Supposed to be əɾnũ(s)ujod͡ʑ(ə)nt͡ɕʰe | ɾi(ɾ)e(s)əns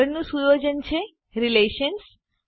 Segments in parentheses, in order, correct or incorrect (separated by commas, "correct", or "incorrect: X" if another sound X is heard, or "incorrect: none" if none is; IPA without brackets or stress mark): correct, correct, incorrect: l, incorrect: ʃ